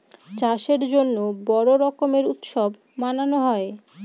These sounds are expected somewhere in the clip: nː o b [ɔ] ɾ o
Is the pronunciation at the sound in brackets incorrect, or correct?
correct